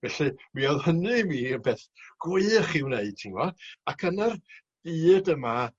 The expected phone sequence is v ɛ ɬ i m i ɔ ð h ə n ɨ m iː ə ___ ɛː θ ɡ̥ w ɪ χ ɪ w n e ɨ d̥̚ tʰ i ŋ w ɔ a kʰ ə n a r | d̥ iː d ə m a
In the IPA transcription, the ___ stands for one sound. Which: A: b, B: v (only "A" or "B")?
A